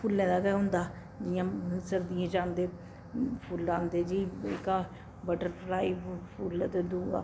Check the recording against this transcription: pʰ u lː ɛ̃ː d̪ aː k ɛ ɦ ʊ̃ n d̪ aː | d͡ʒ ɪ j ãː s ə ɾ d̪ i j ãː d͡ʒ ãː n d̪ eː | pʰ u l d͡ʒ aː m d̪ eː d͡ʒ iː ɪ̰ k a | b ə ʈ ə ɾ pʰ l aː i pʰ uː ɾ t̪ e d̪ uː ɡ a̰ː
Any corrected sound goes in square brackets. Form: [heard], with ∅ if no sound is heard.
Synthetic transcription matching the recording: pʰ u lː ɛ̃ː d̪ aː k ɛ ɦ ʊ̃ n d̪ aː | d͡ʒ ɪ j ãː s ə ɾ d̪ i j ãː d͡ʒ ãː n d̪ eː | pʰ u l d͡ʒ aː [n] d̪ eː d͡ʒ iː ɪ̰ k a | b ə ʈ ə ɾ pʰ l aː i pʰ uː [l] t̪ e d̪ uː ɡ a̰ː

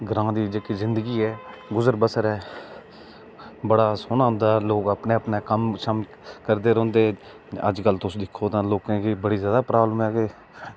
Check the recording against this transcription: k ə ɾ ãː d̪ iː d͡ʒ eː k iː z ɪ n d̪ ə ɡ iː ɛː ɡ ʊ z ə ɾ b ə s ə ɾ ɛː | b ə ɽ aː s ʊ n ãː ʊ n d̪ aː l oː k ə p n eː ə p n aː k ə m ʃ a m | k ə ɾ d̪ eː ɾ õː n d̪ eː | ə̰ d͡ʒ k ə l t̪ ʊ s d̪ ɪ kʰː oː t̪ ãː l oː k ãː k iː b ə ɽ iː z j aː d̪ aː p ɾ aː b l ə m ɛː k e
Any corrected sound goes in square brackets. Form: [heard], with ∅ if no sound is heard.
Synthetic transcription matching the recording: [ɡ] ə ɾ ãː d̪ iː d͡ʒ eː k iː z ɪ n d̪ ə ɡ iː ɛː ɡ ʊ z ə ɾ b ə s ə ɾ ɛː | b ə ɽ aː s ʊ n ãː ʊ n d̪ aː l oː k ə p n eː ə p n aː k ə m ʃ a m | k ə ɾ d̪ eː ɾ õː n d̪ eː | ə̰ d͡ʒ k ə l t̪ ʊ s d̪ ɪ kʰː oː t̪ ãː l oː k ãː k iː b ə ɽ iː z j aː d̪ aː p ɾ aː b l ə m ɛː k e

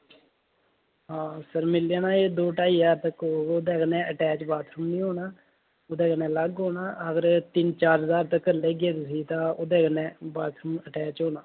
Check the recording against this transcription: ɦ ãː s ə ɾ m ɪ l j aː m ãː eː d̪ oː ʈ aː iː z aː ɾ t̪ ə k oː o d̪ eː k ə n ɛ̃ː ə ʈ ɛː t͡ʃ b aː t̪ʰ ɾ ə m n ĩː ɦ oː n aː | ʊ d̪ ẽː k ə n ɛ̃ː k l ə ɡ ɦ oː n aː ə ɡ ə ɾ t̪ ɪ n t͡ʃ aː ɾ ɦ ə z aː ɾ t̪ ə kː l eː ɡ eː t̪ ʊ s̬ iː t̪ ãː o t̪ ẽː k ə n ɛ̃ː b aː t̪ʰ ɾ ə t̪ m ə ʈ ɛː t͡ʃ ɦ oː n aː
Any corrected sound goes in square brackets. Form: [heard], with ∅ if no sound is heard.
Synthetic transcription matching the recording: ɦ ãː s ə ɾ m ɪ l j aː [n] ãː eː d̪ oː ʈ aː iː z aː ɾ t̪ ə k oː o d̪ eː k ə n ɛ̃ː ə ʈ ɛː t͡ʃ b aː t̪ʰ ɾ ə m n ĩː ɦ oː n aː | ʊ d̪ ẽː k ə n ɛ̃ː [∅] l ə ɡ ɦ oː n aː ə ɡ ə ɾ t̪ ɪ n t͡ʃ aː ɾ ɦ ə z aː ɾ t̪ ə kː l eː ɡ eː t̪ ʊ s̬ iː t̪ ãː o [d̪] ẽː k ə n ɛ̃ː b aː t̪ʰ ɾ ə [∅] m ə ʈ ɛː t͡ʃ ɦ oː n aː

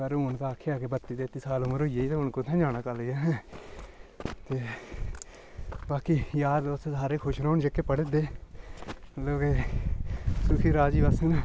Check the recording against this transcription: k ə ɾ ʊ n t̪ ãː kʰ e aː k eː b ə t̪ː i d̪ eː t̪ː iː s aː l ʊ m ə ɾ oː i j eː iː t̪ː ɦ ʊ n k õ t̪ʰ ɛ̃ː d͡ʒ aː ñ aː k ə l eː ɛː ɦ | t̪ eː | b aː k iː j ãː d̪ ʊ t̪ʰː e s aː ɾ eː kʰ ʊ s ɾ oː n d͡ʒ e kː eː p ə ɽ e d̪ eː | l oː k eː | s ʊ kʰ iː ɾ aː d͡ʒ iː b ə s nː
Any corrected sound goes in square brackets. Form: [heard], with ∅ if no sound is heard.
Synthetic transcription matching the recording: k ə ɾ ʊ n t̪ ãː kʰ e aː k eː b ə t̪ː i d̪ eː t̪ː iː s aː l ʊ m ə ɾ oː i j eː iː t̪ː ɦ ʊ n k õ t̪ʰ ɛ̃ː d͡ʒ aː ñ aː k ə l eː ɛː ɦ | t̪ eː | b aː k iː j [aː] d̪ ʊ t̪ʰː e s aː ɾ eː kʰ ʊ [ʃ] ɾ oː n d͡ʒ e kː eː p ə ɽ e d̪ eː | l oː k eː | s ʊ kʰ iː ɾ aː d͡ʒ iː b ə s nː

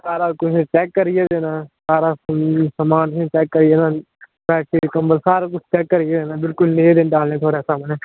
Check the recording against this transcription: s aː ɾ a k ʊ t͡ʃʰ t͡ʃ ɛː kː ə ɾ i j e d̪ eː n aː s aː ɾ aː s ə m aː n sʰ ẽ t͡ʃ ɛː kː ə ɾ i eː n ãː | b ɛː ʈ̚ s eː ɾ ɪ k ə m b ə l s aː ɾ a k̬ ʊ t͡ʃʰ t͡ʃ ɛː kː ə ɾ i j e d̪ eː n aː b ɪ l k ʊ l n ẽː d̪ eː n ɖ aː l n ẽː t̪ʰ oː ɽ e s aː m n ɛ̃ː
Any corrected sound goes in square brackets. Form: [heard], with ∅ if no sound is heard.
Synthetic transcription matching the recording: s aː ɾ a k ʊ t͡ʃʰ t͡ʃ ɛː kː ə ɾ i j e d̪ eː n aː s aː ɾ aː s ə m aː n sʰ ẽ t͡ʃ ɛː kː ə ɾ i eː n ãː | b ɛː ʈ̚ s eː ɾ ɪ k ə m b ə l s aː ɾ a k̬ ʊ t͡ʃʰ t͡ʃ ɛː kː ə ɾ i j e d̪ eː n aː b ɪ l k ʊ l n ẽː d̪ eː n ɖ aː l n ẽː t̪ʰ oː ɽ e s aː m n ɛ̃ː

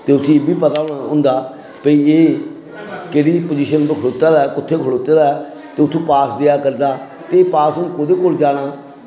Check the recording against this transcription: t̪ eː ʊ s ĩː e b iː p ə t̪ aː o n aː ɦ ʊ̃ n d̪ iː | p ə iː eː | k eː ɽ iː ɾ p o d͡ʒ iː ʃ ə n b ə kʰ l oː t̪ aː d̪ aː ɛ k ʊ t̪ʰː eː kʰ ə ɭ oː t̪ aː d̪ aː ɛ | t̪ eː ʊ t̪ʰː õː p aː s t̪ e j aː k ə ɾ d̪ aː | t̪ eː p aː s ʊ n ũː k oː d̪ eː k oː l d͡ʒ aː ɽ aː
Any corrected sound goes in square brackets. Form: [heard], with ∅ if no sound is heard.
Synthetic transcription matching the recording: t̪ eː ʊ s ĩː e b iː p ə t̪ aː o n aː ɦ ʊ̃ n d̪ [aː] | p ə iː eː | k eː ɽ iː [∅] p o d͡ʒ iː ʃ ə n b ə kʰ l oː t̪ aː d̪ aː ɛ k ʊ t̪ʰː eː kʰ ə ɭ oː t̪ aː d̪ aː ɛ | t̪ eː ʊ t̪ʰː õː p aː s [d̪] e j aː k ə ɾ d̪ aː | t̪ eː p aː s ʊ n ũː k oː d̪ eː k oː l d͡ʒ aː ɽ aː

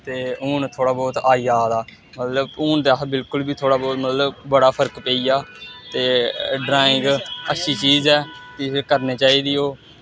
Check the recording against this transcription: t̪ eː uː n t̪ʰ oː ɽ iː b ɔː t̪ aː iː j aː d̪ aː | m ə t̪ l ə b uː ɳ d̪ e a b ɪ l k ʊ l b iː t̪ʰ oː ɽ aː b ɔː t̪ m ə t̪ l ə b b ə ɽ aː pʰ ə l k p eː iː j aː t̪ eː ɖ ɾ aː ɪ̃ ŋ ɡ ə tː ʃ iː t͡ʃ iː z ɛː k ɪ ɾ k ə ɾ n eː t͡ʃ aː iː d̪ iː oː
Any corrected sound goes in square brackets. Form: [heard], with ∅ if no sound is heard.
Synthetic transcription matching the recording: t̪ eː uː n t̪ʰ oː ɽ [aː] b ɔː t̪ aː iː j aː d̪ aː | m ə t̪ l ə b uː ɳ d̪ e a b ɪ l k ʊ l b iː t̪ʰ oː ɽ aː b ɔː t̪ m ə t̪ l ə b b ə ɽ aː pʰ ə [ɾ] k p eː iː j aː t̪ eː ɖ ɾ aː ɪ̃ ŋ ɡ ə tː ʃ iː t͡ʃ iː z ɛː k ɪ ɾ k ə ɾ n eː t͡ʃ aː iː d̪ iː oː

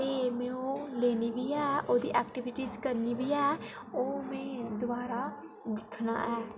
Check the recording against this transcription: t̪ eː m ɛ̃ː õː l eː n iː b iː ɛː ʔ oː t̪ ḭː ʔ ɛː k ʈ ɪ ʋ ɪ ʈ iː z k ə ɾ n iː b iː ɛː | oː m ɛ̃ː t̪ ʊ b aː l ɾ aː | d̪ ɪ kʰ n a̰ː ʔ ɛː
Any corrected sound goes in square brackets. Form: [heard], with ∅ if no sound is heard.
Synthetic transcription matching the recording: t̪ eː m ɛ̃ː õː l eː n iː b iː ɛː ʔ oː [d̪] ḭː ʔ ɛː k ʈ ɪ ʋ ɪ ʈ iː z k ə ɾ n iː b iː ɛː | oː m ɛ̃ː [d̪] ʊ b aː [∅] ɾ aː | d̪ ɪ kʰ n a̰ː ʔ ɛː

